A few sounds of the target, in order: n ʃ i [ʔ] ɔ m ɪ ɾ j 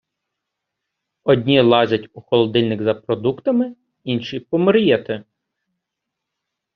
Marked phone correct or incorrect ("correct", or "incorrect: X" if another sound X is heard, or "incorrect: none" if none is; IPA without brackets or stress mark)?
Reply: incorrect: p